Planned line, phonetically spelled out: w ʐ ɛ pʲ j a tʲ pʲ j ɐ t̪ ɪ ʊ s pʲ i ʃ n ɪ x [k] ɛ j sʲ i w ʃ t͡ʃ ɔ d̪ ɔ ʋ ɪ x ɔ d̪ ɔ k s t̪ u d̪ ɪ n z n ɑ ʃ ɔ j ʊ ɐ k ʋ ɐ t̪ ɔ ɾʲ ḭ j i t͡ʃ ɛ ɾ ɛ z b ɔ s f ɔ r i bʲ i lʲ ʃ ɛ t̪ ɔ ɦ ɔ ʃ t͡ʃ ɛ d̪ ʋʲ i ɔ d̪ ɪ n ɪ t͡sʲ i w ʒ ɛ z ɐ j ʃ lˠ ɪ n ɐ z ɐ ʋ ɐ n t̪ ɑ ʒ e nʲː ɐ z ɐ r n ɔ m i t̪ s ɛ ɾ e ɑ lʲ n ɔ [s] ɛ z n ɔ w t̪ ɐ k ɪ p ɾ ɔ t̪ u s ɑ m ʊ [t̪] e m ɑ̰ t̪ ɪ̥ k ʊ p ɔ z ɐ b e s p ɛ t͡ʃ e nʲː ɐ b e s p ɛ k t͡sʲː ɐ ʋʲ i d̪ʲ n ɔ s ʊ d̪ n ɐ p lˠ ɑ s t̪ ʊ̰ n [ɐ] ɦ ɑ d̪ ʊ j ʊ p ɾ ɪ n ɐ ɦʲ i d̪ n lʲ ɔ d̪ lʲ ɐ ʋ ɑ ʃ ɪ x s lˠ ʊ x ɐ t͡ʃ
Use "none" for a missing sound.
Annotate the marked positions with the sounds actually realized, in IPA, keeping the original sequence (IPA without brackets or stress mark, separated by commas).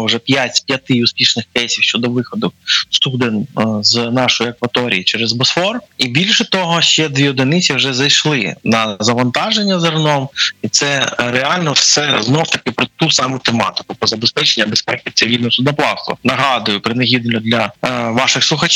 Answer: k, s, t̪, ɐ